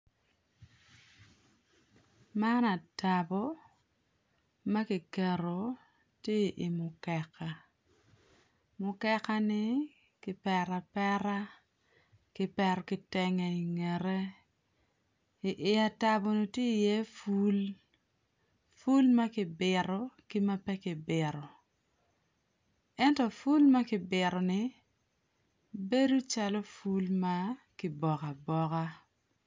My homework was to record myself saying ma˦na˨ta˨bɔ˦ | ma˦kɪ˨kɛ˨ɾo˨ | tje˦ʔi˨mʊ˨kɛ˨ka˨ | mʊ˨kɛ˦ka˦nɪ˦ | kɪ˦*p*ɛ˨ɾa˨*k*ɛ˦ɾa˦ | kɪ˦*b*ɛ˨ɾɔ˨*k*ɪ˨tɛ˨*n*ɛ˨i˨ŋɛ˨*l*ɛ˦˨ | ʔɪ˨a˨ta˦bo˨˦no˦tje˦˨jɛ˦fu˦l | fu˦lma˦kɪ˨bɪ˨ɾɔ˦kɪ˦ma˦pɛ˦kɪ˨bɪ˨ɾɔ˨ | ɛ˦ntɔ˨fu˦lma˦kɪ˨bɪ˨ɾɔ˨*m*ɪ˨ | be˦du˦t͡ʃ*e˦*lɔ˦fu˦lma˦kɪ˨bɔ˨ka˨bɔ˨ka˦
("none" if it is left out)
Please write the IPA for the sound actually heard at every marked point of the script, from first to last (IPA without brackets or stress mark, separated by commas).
p, p, p, k, ŋ, ɾ, n, a˦